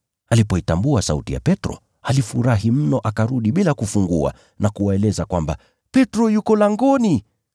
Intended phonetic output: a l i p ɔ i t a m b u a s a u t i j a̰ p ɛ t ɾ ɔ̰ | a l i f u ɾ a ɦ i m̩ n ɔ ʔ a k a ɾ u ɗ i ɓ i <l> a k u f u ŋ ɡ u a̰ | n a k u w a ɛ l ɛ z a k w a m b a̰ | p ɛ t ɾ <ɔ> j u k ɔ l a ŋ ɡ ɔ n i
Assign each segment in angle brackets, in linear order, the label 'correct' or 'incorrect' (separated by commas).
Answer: correct, correct